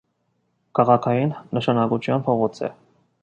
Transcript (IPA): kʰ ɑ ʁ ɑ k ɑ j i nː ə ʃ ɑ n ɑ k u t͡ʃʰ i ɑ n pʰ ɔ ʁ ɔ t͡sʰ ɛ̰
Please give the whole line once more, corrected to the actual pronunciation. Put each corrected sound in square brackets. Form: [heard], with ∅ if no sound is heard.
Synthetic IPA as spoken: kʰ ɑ ʁ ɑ [kʰ] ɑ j i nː ə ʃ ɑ n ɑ k u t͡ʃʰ [j] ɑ n pʰ ɔ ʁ ɔ t͡sʰ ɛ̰